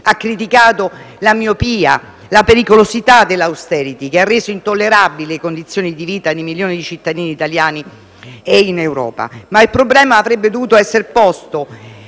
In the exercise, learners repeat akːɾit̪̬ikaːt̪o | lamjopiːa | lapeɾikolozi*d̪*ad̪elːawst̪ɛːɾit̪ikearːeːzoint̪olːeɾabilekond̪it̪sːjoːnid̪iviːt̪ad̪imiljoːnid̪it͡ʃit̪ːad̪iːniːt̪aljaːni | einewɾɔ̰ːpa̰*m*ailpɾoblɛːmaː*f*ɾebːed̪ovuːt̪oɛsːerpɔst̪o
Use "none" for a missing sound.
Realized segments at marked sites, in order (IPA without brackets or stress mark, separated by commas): t̪, m, v